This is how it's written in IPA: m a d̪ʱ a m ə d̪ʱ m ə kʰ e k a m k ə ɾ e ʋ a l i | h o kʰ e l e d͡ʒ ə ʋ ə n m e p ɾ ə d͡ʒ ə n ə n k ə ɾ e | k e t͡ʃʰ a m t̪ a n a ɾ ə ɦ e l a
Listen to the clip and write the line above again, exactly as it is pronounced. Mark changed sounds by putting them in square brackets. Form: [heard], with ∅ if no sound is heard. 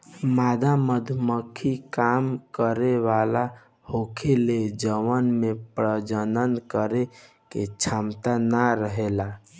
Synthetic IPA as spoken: m a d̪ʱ a m ə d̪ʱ m ə kʰ [i] k a m k ə ɾ e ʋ a l [a] | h o kʰ e l e d͡ʒ ə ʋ ə n m e p ɾ ə d͡ʒ ə n ə n k ə ɾ e | k e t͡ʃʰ a m t̪ a n a ɾ ə ɦ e l a